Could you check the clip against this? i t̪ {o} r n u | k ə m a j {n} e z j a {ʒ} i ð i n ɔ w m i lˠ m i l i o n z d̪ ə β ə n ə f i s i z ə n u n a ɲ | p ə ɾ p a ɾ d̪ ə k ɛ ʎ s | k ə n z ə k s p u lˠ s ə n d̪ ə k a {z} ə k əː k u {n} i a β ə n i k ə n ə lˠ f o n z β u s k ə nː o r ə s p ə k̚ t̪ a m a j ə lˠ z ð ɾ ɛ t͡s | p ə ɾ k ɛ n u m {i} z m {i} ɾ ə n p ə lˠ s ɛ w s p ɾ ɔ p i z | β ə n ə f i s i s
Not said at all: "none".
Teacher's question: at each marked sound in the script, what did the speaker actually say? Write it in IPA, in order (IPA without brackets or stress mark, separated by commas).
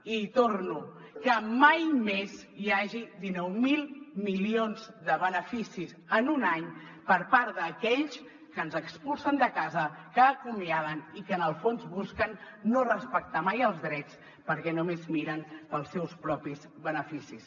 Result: o, m, ʒ, z, m, e, i